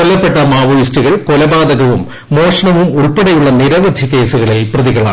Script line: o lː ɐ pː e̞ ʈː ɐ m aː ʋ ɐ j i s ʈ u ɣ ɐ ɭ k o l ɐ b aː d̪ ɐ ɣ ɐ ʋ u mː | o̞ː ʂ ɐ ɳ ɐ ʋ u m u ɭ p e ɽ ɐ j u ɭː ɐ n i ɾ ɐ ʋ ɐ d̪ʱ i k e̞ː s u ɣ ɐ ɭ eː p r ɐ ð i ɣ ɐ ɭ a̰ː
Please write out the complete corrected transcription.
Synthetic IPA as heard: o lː ɐ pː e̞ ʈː ɐ m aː ʋ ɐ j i s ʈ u ɣ ɐ ɭ k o l ɐ b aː d̪ ɐ ɣ ɐ ʋ u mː | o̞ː ʂ ɐ ɳ ɐ ʋ u m u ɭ p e ɽ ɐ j u ɭː ɐ n i ɾ ɐ ʋ ɐ d̪ʱ i k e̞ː s u ɣ ɐ ɭ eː p r ɐ ð i ɣ ɐ ɭ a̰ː